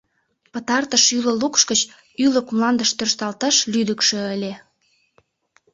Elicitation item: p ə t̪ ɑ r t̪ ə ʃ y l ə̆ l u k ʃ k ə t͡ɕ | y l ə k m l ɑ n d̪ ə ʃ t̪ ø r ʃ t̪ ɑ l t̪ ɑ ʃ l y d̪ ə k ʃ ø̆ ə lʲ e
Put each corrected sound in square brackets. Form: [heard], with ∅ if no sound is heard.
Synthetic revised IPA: p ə t̪ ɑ r t̪ ə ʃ y l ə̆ l u k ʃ k ə t͡ɕ | y l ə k m l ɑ n d̪ ə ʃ t̪ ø r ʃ t̪ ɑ l t̪ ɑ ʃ l y d̪ ə k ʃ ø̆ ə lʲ e